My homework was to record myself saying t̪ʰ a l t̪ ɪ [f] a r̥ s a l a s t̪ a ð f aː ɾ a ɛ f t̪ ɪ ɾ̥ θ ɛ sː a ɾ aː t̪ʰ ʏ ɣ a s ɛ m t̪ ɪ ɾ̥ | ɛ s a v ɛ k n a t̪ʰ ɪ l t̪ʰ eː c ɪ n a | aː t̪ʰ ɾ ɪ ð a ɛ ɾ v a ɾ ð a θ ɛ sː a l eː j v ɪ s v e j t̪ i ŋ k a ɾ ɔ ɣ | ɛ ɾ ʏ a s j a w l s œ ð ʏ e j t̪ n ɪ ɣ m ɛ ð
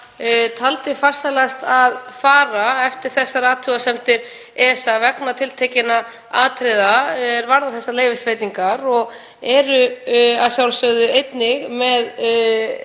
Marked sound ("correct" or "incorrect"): correct